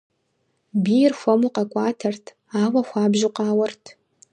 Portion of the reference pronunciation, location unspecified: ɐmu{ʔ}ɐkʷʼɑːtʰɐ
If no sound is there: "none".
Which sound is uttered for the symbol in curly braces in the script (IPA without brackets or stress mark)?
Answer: q